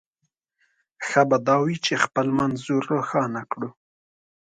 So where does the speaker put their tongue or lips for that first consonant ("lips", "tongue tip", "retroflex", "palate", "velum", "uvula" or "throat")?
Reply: velum